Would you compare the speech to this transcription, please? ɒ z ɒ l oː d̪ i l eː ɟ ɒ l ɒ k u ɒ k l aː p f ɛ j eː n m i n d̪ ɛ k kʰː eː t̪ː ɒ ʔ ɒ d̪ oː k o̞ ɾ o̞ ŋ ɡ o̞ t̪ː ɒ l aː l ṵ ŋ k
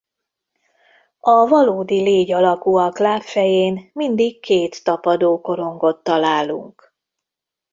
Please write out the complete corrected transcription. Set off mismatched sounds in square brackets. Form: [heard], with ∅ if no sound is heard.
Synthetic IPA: ɒ [v] ɒ l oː d̪ i l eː ɟ ɒ l ɒ k u ɒ k l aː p f ɛ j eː n m i n d̪ [i] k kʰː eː t̪ː ɒ [p] ɒ d̪ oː k o̞ ɾ o̞ ŋ ɡ o̞ t̪ː ɒ l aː l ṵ ŋ k